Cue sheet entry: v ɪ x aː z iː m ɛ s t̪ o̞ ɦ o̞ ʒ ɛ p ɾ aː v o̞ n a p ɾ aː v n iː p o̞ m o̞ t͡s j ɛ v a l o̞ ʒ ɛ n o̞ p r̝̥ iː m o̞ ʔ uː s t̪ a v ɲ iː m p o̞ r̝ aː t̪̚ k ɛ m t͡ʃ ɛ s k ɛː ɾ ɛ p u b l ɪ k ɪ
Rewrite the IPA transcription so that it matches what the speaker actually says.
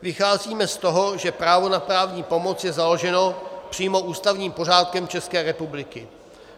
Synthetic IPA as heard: v ɪ x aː z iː m ɛ s t̪ o̞ ɦ o̞ ʒ ɛ p ɾ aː v o̞ n a p ɾ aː v ɲ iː p o̞ m o̞ t͡s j ɛ z a l o̞ ʒ ɛ n o̞ p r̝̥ iː m o̞ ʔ uː s t̪ a v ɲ iː m p o̞ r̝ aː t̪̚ k ɛ m t͡ʃ ɛ s k ɛː ɾ ɛ p u b l ɪ k ɪ